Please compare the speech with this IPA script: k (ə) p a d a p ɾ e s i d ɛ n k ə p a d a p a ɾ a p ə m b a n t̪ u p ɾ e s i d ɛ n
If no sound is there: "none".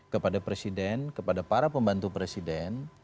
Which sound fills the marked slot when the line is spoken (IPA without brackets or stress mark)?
ə